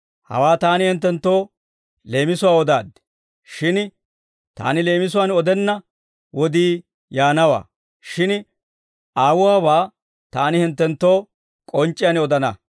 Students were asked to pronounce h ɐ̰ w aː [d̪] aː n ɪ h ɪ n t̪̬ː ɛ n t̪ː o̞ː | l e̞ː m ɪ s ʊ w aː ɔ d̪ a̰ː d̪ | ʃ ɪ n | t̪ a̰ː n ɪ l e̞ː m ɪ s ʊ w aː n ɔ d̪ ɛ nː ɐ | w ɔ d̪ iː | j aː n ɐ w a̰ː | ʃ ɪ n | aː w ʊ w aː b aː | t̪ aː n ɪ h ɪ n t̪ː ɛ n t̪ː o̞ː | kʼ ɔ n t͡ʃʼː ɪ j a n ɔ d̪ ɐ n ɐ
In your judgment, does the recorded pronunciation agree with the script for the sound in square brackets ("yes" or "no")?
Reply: no